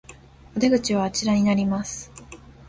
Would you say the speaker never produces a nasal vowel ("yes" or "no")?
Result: yes